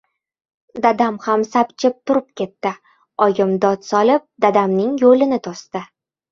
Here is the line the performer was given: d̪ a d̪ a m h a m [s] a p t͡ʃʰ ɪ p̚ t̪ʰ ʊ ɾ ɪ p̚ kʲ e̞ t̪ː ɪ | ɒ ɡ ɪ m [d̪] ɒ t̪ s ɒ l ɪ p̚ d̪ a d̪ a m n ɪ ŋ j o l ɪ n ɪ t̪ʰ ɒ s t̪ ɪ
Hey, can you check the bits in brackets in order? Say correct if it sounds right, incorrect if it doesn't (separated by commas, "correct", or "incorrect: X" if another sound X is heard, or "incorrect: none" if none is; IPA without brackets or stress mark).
correct, correct